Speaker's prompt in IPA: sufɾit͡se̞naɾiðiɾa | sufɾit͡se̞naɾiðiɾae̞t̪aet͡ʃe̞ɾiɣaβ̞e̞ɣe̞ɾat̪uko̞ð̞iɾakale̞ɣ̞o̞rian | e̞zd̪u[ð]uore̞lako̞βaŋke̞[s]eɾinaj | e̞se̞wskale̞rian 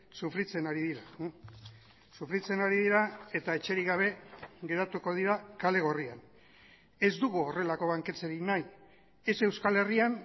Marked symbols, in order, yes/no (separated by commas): no, no